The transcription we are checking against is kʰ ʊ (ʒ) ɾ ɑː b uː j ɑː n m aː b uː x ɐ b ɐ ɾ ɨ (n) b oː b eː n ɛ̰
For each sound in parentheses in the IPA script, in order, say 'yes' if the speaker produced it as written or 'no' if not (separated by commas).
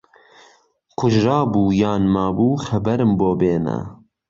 yes, no